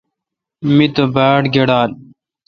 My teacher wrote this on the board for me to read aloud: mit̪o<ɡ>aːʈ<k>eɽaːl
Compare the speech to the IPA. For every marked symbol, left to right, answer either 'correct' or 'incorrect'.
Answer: incorrect, incorrect

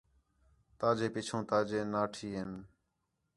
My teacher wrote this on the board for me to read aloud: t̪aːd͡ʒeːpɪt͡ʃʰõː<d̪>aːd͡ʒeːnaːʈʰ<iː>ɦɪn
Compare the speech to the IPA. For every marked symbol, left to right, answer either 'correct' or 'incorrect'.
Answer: incorrect, correct

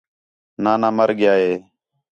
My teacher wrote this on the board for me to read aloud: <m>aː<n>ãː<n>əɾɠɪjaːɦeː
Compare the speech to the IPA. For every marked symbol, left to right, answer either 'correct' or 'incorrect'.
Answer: incorrect, correct, incorrect

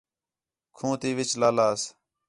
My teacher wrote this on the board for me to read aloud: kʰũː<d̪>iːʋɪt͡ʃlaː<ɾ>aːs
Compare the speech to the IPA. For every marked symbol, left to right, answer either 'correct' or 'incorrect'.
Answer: incorrect, incorrect

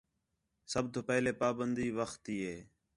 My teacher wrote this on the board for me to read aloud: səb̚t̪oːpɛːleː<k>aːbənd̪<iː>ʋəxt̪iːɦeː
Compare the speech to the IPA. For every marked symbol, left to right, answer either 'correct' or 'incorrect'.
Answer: incorrect, correct

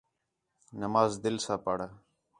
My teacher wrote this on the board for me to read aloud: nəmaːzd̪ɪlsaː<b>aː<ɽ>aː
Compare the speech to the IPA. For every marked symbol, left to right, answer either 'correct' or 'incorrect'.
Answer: incorrect, correct

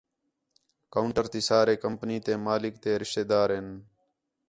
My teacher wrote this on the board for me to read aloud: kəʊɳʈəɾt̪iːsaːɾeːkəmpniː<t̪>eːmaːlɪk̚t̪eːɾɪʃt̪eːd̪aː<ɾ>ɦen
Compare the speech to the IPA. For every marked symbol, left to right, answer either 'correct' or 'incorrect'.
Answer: correct, correct

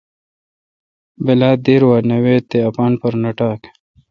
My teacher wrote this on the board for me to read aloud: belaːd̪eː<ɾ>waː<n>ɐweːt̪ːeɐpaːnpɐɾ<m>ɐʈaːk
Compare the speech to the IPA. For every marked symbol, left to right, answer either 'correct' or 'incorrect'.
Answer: correct, correct, incorrect

